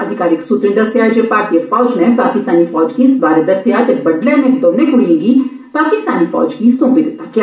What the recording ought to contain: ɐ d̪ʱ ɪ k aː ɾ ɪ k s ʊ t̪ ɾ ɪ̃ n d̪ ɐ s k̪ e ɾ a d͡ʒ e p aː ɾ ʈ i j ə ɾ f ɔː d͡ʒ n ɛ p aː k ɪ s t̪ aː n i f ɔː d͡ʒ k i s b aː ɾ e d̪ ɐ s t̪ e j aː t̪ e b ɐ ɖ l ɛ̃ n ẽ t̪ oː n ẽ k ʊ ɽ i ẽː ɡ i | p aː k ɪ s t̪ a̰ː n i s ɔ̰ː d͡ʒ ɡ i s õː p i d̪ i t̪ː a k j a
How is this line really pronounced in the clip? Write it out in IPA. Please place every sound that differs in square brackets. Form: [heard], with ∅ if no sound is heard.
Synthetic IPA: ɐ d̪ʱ ɪ k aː ɾ ɪ k s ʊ t̪ ɾ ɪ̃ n d̪ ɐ s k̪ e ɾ a d͡ʒ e p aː ɾ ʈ i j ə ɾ f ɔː d͡ʒ n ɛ p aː k ɪ s t̪ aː n i f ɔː d͡ʒ k i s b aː ɾ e d̪ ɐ s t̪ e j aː t̪ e b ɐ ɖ l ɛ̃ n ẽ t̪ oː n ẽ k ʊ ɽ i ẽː ɡ i | p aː k ɪ s t̪ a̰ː n i [f] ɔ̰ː d͡ʒ [k] i s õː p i d̪ [ɪ] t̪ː a k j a